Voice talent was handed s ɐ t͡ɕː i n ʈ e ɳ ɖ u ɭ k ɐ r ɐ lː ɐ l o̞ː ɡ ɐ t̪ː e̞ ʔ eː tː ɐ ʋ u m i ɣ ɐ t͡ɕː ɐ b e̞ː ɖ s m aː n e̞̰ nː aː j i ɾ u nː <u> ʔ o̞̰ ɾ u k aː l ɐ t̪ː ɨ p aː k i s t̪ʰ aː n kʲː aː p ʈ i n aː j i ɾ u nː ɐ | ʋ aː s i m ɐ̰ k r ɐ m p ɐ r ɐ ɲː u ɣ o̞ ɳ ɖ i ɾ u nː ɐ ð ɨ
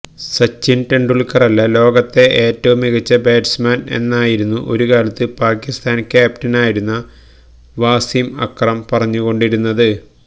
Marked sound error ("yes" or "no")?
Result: no